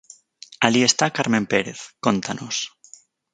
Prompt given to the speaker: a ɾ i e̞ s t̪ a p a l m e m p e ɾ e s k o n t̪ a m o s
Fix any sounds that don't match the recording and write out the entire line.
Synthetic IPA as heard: a l i e̞ s t̪ a k a ɾ m e m p e ɾ e θ k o n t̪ a n o s